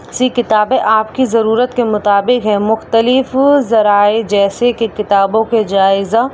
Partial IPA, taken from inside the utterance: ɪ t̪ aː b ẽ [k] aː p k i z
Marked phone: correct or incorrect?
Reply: incorrect